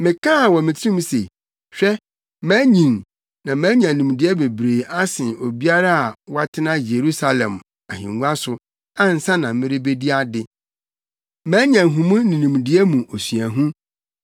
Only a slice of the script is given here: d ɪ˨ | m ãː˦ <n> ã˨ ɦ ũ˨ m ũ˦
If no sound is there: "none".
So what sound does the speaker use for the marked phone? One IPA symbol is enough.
ɲ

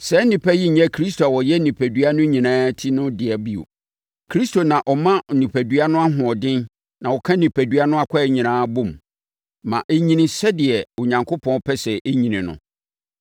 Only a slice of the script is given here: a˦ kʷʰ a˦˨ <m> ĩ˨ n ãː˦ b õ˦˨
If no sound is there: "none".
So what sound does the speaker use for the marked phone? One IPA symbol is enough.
ɲ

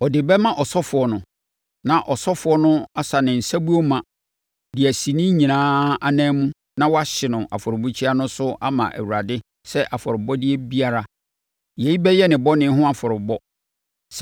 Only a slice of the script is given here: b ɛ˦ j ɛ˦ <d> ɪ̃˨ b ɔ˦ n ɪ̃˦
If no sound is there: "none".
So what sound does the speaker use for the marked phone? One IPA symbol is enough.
n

